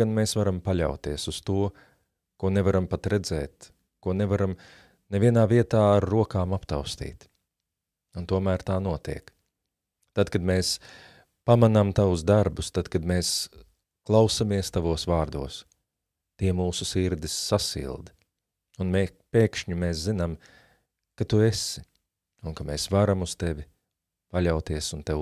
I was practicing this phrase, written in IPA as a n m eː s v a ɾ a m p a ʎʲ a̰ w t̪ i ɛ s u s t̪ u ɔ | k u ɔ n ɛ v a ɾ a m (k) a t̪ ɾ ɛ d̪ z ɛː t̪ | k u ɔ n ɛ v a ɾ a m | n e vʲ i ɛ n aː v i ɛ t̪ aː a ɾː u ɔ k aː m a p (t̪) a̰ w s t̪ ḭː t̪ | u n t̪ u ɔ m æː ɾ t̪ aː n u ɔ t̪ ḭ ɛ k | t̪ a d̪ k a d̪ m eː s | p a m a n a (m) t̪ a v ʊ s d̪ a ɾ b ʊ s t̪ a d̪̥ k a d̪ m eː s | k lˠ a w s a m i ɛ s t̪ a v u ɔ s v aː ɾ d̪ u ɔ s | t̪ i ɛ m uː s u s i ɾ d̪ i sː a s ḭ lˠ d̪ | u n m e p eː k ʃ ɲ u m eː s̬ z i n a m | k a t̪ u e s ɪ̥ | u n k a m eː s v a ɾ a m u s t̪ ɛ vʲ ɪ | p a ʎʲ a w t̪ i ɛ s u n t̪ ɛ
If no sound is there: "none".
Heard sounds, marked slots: p, t̪, m

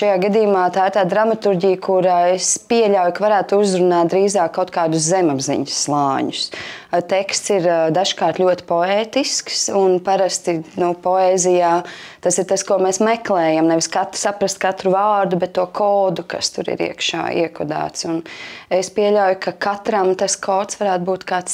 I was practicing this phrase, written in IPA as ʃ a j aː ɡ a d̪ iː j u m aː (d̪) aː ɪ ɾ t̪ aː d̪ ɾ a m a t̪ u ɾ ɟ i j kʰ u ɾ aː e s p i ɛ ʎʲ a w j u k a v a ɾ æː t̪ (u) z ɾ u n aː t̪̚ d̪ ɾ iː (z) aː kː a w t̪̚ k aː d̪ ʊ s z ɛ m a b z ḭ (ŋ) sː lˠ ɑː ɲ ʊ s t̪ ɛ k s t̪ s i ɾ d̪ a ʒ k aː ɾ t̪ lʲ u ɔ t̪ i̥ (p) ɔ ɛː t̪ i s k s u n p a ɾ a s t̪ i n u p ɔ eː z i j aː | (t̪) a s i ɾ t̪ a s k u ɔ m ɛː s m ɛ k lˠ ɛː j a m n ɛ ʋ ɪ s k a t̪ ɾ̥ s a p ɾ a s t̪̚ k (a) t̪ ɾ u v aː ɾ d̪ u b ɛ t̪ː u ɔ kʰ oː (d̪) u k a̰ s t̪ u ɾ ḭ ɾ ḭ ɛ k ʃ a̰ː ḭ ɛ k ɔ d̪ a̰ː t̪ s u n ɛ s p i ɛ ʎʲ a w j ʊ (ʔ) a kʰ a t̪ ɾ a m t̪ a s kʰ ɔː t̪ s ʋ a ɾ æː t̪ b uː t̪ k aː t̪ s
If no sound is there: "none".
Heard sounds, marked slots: t̪, u, z, ɲ, p, t̪, a, d̪, k

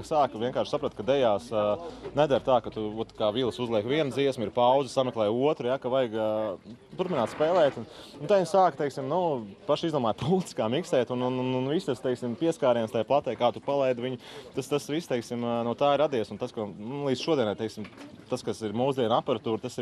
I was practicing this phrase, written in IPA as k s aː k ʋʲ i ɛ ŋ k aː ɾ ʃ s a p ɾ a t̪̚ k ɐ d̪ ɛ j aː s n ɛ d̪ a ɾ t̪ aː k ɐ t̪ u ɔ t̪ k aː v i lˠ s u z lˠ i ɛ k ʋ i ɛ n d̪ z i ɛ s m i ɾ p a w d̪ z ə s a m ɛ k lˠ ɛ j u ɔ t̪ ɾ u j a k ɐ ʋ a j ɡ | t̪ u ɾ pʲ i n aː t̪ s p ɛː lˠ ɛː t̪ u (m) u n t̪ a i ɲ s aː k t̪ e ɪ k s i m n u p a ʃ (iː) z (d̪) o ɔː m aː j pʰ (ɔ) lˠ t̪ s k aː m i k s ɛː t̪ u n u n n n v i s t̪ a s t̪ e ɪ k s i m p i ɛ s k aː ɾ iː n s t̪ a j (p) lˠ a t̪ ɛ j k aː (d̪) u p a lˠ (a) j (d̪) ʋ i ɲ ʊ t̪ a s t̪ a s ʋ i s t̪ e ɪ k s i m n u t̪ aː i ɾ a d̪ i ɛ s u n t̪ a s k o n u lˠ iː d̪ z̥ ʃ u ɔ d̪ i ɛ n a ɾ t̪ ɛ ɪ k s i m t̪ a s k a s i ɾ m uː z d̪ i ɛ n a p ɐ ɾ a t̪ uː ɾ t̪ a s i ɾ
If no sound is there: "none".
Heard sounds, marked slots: n, i, d̪, u, p, t̪, ɛ, d̪

